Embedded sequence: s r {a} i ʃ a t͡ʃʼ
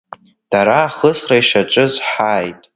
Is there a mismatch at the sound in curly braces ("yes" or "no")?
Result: no